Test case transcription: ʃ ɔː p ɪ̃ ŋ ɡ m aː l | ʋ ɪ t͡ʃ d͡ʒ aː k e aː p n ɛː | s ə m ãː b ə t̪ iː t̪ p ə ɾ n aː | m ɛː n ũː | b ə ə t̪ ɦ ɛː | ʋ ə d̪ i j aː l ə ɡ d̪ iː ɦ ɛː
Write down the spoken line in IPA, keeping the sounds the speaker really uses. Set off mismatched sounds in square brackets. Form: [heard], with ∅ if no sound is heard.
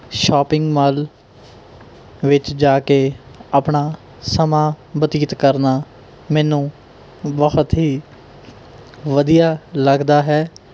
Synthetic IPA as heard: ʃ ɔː p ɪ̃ ŋ ɡ m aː l | ʋ ɪ t͡ʃ d͡ʒ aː k e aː p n [aː] | s ə m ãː b ə t̪ iː t̪ [k] ə ɾ n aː | m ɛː n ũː | b ə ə t̪ ɦ [iː] | ʋ ə d̪ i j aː l ə ɡ d̪ [aː] ɦ ɛː